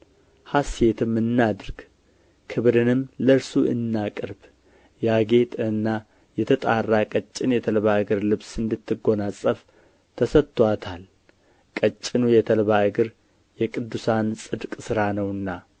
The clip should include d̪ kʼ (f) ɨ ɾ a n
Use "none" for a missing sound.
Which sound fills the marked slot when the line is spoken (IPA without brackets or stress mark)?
s